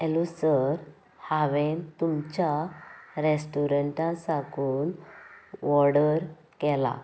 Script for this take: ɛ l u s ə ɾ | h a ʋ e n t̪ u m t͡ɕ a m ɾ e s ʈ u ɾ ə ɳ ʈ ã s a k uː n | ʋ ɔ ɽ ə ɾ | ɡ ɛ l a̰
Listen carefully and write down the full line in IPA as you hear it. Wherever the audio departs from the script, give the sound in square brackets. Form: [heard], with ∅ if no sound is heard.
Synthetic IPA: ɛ l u s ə ɾ | h a ʋ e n t̪ u m t͡ɕ a [∅] ɾ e s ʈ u ɾ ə ɳ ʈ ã s a k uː n | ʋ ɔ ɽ ə ɾ | [k] ɛ l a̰